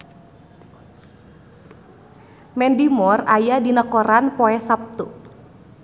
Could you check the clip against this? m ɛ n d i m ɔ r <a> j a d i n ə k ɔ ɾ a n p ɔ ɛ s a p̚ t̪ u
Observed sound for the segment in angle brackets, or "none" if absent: a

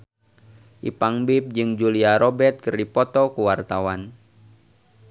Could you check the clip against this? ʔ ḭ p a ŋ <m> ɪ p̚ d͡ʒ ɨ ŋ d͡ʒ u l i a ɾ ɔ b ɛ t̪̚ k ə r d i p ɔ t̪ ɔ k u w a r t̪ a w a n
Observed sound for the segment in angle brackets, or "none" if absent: b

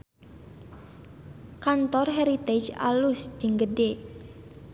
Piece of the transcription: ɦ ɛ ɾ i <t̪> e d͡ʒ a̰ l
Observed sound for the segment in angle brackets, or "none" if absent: t̪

